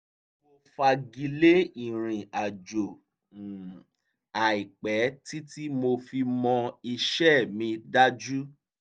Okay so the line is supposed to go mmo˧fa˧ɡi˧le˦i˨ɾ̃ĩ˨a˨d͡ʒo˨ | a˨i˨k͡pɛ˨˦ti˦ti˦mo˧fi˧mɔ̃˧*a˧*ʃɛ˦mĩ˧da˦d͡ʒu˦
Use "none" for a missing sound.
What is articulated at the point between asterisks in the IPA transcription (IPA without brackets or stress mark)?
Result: i˧